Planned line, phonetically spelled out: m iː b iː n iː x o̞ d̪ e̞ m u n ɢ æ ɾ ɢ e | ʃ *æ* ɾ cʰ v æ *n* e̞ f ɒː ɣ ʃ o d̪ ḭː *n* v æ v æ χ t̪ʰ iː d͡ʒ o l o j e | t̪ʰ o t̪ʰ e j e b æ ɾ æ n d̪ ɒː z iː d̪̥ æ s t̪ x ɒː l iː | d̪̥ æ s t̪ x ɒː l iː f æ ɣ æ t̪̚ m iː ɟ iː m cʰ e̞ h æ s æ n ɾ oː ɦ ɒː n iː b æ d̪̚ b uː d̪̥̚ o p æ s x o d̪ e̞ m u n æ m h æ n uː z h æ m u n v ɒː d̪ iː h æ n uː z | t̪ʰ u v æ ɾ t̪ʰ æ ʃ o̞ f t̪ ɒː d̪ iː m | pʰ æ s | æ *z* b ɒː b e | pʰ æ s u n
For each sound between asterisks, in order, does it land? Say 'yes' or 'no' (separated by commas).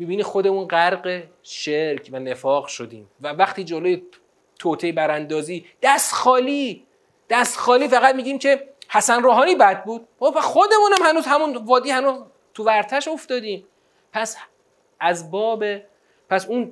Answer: no, yes, no, yes